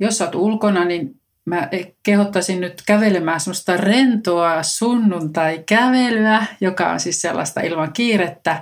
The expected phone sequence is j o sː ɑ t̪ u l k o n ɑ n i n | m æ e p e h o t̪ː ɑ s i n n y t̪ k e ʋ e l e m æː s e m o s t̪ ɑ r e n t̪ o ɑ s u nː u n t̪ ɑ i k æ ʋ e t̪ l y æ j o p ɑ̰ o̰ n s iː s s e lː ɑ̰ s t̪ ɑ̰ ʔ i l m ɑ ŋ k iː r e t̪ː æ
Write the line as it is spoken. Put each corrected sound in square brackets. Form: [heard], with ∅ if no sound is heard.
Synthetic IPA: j o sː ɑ t̪ u l k o n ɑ n i n | m æ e [k] e h o t̪ː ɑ s i n n y t̪ k [æ] ʋ e l e m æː s e m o s t̪ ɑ r e n t̪ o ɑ s u nː u n t̪ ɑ i k æ ʋ e [∅] l y æ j o [k] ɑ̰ o̰ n s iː s s e lː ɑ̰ s t̪ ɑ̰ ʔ i l m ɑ ŋ k iː r e t̪ː æ